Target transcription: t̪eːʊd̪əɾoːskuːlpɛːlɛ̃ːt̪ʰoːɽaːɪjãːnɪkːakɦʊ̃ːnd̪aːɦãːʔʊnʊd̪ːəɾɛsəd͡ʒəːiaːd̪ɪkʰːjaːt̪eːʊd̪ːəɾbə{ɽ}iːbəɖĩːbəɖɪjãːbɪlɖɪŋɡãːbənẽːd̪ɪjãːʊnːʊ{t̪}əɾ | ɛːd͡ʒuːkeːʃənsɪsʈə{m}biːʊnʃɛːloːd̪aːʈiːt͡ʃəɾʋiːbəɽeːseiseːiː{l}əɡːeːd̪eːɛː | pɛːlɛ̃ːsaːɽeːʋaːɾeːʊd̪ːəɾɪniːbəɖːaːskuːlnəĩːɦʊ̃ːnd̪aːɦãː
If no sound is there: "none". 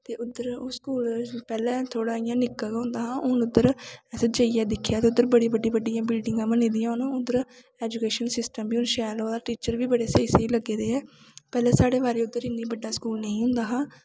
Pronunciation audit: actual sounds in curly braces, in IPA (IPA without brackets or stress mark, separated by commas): ɽ, d̪, m, l